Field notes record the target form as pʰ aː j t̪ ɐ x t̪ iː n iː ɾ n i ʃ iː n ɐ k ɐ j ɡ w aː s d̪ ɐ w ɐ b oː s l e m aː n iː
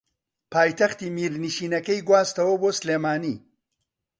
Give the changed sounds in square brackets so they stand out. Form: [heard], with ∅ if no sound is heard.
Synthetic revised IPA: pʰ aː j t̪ ɐ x t̪ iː [m] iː ɾ n i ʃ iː n ɐ k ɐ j ɡ w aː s [t̪] ɐ w ɐ b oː s l e m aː n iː